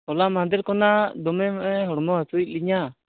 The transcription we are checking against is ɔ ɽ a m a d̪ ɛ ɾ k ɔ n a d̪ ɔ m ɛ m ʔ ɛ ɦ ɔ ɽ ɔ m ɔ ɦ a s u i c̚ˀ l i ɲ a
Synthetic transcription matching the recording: ɔ l a m a d̪ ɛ ɾ k ɔ n a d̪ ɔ m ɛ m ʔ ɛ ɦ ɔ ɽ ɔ m ɔ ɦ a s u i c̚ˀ l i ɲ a